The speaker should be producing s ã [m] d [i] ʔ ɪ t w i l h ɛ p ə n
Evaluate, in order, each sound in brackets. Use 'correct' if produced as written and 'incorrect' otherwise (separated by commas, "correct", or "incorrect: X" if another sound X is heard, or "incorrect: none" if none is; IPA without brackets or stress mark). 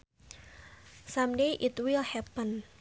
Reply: correct, incorrect: e